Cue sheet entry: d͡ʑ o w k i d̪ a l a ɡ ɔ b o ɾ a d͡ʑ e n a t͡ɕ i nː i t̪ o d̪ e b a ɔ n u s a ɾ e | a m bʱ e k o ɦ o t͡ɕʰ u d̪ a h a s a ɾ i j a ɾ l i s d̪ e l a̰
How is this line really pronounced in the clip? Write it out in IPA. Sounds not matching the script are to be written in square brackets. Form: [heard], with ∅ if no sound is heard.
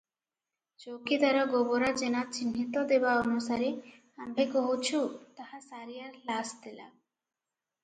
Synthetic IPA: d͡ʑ o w k i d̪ a [ɾ] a ɡ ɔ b o ɾ a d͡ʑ e n a t͡ɕ i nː i t̪ o d̪ e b a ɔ n u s a ɾ e | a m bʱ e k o ɦ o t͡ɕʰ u [t̪] a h a s a ɾ i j a ɾ l [a] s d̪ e l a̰